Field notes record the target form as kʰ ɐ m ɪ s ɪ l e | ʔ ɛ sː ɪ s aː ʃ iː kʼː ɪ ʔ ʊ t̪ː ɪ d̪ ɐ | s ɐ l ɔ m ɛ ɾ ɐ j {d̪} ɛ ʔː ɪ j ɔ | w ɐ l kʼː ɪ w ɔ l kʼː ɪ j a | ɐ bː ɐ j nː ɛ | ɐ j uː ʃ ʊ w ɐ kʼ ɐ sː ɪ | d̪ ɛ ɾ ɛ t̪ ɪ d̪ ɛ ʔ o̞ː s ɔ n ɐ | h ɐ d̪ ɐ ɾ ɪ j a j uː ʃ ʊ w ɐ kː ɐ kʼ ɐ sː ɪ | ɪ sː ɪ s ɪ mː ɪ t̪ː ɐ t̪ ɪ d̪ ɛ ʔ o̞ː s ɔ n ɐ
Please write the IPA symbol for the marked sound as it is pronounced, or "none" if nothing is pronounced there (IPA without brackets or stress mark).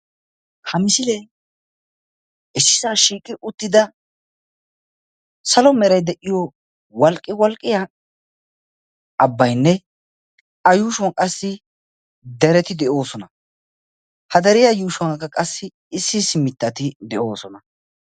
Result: d̪